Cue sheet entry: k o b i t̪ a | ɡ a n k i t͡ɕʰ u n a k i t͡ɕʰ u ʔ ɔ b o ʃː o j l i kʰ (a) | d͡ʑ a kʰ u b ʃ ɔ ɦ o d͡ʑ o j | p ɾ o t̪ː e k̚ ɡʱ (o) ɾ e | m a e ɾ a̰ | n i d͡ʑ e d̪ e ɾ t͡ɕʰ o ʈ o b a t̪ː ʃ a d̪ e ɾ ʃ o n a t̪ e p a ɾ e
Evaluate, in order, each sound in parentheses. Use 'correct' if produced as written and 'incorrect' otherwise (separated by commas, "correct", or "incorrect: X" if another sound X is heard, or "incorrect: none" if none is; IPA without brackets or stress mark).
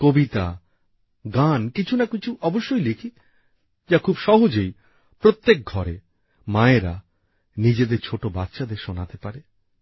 incorrect: i, incorrect: ɔ